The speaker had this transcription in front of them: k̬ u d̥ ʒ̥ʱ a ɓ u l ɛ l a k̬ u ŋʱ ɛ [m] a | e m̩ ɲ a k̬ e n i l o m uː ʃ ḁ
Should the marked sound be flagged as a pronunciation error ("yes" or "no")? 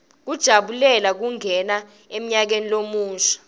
yes